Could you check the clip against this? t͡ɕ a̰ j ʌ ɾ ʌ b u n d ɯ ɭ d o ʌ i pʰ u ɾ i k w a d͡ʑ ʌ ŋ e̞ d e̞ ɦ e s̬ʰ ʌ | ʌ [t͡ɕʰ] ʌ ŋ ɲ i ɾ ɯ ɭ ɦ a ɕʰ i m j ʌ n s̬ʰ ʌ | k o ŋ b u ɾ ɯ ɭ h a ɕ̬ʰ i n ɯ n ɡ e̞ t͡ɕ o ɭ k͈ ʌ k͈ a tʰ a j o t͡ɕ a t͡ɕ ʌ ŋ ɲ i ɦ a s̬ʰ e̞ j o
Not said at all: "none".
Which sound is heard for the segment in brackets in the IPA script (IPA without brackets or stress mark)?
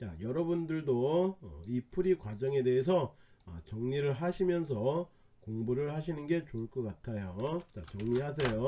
t͡ɕ